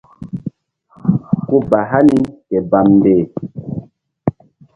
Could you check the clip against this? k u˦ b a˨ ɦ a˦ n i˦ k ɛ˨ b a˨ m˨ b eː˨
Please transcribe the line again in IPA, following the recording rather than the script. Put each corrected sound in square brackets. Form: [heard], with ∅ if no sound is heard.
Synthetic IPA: k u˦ b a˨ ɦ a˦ n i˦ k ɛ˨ b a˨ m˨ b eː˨